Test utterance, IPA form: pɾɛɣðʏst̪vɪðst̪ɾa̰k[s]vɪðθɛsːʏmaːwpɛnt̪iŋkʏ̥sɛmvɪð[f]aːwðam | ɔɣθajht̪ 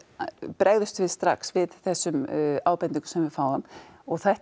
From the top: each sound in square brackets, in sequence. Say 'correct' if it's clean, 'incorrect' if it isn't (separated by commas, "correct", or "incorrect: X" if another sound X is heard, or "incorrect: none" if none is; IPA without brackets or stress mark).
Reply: correct, correct